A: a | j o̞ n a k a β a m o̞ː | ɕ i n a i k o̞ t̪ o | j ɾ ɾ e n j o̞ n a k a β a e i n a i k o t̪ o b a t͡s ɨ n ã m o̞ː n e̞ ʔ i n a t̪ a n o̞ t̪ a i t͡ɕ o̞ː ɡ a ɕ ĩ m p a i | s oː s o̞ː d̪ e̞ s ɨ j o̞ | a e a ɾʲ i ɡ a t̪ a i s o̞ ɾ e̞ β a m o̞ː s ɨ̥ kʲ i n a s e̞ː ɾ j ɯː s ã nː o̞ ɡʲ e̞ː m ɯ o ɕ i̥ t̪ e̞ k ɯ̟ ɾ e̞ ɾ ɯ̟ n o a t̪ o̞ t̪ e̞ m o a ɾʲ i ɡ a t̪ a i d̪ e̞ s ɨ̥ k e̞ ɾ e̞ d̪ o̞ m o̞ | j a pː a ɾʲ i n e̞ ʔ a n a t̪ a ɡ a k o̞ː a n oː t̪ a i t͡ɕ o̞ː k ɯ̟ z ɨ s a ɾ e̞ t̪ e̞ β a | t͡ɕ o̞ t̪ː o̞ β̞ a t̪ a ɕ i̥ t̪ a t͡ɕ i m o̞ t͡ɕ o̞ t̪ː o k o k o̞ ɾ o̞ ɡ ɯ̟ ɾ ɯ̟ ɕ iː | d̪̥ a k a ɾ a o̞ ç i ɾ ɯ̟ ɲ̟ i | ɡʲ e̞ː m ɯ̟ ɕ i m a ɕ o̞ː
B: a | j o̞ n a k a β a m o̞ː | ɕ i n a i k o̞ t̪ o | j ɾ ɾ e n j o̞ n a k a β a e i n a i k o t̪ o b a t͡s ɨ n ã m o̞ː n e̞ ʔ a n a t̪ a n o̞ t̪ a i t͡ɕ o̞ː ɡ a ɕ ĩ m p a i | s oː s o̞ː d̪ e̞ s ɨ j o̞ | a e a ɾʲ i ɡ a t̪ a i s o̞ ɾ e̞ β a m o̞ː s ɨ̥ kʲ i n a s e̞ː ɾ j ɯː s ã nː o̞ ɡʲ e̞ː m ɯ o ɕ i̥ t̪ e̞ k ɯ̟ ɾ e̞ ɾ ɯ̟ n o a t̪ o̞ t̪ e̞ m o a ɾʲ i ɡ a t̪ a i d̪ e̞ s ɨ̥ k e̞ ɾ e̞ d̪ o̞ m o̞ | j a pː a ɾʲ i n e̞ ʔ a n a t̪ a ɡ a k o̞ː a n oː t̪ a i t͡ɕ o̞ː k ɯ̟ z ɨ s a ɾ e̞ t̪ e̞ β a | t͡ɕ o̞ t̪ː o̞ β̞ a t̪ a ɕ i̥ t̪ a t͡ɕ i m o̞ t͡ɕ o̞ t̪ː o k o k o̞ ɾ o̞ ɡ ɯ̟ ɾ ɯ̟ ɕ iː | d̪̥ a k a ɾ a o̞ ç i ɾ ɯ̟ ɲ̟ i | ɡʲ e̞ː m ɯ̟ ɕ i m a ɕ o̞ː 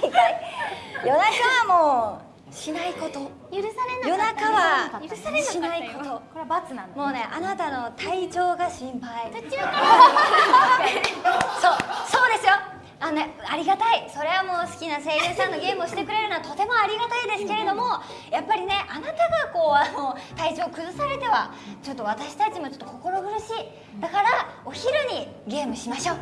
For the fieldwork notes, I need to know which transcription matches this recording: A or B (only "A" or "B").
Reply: B